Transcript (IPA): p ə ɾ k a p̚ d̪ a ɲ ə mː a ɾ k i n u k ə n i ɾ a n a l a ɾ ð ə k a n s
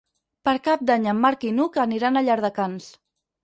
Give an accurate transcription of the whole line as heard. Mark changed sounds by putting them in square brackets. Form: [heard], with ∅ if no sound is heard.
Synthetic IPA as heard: p ə ɾ k a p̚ d̪ a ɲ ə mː a ɾ k i n u k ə n i ɾ a n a [ʎ] a ɾ ð ə k a n s

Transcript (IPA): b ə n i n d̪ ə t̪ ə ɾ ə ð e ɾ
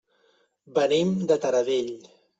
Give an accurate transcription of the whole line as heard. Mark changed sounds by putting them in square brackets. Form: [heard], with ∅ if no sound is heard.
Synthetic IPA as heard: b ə n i [m] d̪ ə t̪ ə ɾ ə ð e [ʎ]

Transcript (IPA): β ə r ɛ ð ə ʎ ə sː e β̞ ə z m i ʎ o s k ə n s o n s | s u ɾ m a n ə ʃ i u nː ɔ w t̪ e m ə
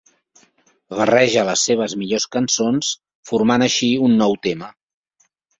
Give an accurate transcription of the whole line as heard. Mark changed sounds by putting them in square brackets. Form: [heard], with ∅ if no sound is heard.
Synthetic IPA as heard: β ə r ɛ [ʒ] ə [l] ə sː e β̞ ə z m i ʎ o s k ə n s o n s | [f] u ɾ m a n ə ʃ i u nː ɔ w t̪ e m ə

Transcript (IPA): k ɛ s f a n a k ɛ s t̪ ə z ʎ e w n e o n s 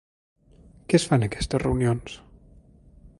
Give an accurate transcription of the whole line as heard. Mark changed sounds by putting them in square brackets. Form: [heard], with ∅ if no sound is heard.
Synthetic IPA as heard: k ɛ s f a n [ə] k ɛ s t̪ ə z [r] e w n [i] o n s

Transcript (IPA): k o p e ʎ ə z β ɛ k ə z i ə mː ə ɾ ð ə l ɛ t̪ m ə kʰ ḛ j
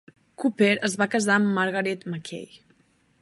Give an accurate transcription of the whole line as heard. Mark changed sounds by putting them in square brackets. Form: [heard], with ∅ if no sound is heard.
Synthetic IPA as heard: k [u] p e [ɾ] ə z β [a] k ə z [a] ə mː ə ɾ [ɣ] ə [ɾ] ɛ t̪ m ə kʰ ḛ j

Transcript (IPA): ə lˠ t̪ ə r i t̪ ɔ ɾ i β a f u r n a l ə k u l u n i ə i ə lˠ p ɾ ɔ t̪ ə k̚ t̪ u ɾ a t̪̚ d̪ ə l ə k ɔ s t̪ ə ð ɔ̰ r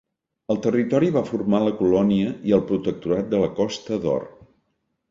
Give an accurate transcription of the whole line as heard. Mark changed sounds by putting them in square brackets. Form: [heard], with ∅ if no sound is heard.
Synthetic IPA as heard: ə lˠ t̪ ə r i t̪ ɔ ɾ i β a f u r [m] a l ə k u l [ɔ] n i ə i ə lˠ p ɾ [u] t̪ ə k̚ t̪ u ɾ a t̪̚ d̪ ə l ə k ɔ s t̪ ə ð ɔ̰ r

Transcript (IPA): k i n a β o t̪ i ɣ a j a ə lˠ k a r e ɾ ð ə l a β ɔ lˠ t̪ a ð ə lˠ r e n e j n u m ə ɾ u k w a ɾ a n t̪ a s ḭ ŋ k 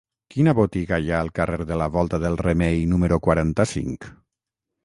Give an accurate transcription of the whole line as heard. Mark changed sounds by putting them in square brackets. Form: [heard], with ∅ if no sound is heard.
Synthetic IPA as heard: k i n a β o t̪ i ɣ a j a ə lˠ k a r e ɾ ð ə l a β ɔ lˠ t̪ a ð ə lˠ r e [m] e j n u m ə ɾ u k w a ɾ a n t̪ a s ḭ ŋ k

